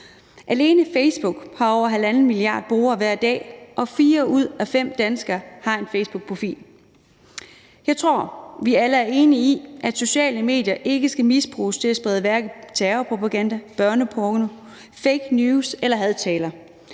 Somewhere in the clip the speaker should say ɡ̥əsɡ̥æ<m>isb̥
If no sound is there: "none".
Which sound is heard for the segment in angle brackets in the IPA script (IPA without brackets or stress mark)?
m